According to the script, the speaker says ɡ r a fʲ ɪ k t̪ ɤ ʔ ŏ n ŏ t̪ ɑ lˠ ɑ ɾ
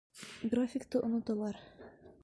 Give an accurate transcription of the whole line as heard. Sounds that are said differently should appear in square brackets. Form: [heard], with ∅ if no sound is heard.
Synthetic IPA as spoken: ɡ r a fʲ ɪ k t̪ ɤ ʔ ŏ n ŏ t̪ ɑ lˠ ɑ ɾ